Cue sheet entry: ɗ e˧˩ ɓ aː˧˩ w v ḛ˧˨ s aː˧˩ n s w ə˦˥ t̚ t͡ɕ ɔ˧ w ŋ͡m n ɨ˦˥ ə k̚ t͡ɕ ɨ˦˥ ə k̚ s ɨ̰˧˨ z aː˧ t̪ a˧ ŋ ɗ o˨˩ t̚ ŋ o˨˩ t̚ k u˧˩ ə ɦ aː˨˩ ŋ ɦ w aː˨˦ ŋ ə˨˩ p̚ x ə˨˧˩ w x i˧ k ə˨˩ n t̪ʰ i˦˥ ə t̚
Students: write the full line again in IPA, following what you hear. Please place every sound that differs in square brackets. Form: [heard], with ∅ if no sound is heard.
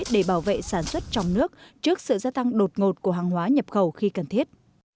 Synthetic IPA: ɗ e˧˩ ɓ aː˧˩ w v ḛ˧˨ s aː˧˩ n s w ə˦˥ t̚ t͡ɕ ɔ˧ w ŋ͡m n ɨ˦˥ ə k̚ t͡ɕ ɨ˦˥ ə k̚ s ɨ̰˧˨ z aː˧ t̪ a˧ ŋ ɗ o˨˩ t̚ ŋ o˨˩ t̚ k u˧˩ ə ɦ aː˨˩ ŋ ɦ w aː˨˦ [ɲ] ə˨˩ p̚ x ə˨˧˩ w x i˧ k ə˨˩ n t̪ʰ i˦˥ ə t̚

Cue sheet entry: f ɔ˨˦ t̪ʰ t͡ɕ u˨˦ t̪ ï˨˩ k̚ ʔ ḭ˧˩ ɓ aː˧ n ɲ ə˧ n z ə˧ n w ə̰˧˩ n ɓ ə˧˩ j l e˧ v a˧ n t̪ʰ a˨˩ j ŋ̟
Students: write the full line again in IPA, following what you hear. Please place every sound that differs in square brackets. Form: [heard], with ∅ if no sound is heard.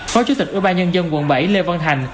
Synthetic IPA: f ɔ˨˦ [∅] t͡ɕ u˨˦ t̪ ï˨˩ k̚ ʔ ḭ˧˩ ɓ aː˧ n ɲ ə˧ n z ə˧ n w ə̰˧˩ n ɓ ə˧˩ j l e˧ v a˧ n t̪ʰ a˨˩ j ŋ̟

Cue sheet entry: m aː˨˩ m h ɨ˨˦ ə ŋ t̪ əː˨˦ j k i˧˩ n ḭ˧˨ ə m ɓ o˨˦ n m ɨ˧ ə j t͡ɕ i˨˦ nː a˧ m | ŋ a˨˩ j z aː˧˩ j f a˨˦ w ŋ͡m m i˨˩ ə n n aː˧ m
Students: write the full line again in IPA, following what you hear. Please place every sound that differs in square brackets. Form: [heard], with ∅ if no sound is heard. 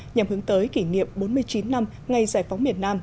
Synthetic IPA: [ɲ] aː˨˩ m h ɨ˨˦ ə ŋ t̪ əː˨˦ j k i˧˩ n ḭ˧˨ ə m ɓ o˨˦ n m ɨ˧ ə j t͡ɕ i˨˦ nː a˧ m | ŋ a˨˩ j z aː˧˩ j f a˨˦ w ŋ͡m m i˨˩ ə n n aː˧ m

